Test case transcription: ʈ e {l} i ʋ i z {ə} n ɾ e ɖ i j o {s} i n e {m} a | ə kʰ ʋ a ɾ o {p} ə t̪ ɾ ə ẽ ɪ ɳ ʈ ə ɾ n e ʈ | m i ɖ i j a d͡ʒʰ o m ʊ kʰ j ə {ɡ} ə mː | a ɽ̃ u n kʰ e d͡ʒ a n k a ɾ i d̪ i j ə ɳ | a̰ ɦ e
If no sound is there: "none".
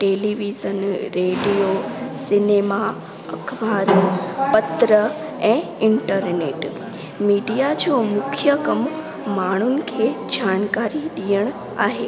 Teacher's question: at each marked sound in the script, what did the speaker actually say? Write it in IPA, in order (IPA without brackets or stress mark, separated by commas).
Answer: l, ə, s, m, p, k